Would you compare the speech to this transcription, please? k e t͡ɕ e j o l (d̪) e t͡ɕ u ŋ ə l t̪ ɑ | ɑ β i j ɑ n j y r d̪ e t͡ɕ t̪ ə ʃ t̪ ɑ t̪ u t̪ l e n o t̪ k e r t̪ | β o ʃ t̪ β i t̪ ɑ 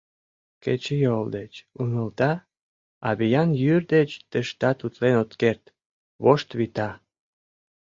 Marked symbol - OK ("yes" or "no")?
yes